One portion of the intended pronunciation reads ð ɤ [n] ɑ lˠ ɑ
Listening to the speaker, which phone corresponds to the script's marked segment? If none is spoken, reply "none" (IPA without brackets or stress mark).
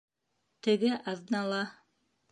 n